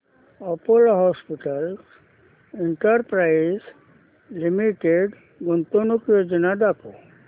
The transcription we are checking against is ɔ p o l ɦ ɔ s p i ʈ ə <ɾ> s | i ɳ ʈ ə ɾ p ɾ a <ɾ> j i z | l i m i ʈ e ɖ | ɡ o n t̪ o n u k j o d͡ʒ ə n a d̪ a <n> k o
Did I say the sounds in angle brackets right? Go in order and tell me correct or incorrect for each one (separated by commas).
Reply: incorrect, incorrect, incorrect